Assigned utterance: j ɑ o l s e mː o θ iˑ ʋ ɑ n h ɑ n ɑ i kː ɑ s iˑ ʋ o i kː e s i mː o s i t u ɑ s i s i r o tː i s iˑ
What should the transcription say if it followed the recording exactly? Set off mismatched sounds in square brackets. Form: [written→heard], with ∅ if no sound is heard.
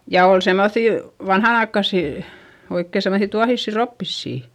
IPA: j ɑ o l s e mː o θ iˑ ʋ ɑ n h ɑ n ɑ i kː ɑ s iˑ [ʋ→∅] o i kː e s [i→e] mː o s i t u ɑ [s→h] i [s→sː] i r o [tː→pː] i [s→sː] iˑ